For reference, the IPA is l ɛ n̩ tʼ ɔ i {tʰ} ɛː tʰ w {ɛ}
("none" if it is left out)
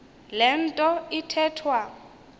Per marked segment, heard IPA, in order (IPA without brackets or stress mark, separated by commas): tʰ, a